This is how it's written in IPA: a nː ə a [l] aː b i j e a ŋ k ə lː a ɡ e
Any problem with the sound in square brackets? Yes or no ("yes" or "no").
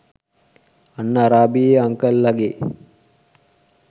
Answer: yes